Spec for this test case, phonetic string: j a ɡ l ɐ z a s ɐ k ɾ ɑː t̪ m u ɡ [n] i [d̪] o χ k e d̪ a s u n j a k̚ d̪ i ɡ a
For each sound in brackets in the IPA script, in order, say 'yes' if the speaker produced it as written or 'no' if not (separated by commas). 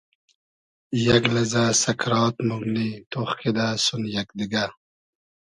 yes, no